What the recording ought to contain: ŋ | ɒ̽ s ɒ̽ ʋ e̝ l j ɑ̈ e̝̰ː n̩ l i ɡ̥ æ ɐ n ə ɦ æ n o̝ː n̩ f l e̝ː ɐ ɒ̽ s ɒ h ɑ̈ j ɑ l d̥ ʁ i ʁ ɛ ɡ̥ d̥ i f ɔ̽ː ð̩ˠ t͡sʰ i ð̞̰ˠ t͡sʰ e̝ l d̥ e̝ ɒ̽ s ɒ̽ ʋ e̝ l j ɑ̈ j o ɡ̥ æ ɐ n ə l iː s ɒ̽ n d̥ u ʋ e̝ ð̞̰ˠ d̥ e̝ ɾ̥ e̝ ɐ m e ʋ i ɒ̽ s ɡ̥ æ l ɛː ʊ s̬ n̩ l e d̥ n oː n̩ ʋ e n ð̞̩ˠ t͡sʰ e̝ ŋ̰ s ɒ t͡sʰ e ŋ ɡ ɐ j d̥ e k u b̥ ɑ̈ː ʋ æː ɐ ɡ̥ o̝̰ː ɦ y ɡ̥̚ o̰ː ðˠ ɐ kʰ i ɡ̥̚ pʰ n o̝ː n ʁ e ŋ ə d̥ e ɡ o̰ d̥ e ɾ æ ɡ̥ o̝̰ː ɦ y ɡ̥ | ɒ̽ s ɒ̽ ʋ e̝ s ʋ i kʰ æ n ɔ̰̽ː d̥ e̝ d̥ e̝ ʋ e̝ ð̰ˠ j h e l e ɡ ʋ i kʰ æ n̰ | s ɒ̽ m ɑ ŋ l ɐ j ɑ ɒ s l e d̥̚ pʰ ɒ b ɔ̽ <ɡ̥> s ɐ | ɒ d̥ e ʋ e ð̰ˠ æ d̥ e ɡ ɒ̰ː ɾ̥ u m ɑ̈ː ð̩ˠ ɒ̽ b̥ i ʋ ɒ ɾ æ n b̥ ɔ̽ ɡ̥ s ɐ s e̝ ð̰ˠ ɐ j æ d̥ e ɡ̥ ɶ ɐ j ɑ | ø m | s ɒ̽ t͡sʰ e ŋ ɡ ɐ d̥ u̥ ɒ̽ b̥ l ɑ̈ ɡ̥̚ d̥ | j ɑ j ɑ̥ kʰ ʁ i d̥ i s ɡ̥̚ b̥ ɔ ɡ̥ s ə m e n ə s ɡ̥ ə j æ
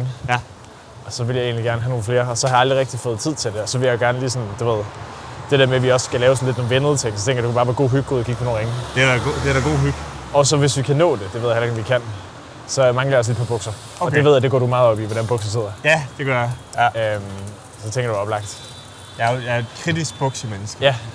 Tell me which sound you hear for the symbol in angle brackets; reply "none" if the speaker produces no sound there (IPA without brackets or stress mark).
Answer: ɡ̥